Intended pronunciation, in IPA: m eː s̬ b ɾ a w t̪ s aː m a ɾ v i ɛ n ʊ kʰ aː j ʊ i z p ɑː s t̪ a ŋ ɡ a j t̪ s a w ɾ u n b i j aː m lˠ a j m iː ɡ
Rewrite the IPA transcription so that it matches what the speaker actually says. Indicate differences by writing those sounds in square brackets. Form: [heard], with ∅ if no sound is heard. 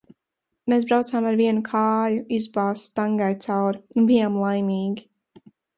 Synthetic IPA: m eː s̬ b ɾ a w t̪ s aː m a ɾ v i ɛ n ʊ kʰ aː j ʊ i z [b] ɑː s t̪ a ŋ ɡ a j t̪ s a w ɾ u n b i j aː m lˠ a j m iː ɡ